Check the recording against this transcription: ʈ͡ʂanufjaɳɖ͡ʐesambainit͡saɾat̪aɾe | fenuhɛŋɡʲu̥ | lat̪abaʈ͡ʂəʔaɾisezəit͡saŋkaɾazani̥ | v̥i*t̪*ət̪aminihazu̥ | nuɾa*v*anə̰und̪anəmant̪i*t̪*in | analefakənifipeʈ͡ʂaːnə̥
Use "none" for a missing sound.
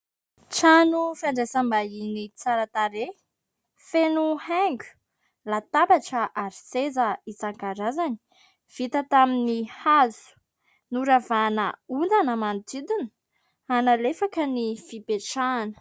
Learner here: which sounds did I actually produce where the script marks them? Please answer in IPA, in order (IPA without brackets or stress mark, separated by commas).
t̪, v, d̪